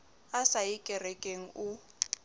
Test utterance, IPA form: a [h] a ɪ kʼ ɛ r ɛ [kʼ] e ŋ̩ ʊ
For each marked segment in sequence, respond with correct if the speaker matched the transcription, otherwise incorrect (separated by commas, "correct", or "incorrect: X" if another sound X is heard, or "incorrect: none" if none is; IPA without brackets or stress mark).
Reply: incorrect: s, correct